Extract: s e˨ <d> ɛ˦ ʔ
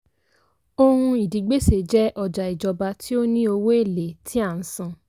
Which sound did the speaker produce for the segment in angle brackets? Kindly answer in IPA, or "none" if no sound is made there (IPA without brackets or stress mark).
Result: d͡ʒ